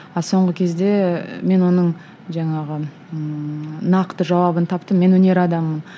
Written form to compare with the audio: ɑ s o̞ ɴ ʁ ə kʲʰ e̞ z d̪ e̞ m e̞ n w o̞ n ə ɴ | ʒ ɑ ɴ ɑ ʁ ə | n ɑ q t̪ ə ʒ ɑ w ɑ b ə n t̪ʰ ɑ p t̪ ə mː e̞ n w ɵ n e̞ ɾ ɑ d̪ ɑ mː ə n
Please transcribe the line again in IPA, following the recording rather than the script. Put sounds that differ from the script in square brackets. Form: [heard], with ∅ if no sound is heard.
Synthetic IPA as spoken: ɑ s o̞ ɴ ʁ ə kʲʰ e̞ z d̪ e̞ m e̞ n w o̞ n ə ɴ | ʒ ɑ ɴ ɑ ʁ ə | n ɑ q t̪ ə ʒ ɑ w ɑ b ə n t̪ʰ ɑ p t̪ ə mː e̞ n w ɵ n e̞ ɾ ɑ d̪ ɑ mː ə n